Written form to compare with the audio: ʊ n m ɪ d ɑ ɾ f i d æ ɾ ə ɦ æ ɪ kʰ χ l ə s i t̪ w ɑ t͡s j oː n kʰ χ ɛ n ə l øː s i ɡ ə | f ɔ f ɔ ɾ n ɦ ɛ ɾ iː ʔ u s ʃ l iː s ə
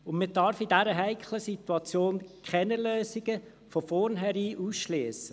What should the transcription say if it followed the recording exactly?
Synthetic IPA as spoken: ʊ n m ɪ d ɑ ɾ f i d æ ɾ ə ɦ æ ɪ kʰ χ l ə s i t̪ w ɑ t͡s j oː n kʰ χ ɛ n ə l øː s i ɡ ə | f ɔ f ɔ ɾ n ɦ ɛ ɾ iː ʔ u s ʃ l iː s ə